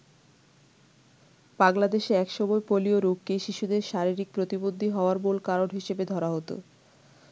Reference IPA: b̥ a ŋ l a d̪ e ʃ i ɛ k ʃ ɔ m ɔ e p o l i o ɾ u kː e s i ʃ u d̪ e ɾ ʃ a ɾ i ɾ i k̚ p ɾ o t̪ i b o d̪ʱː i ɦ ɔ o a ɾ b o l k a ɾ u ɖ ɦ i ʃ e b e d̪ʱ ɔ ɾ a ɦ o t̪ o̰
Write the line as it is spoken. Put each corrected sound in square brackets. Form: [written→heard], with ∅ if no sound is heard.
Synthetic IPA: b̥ a ŋ l a d̪ e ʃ [i→e] ɛ k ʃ ɔ m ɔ e p o l i o ɾ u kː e [s→ʃ] i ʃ u d̪ e ɾ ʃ a ɾ i ɾ i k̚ p ɾ o t̪ i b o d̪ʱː i ɦ ɔ o a ɾ b o l k a ɾ [u→o] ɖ ɦ i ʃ e b e d̪ʱ ɔ ɾ a ɦ o t̪ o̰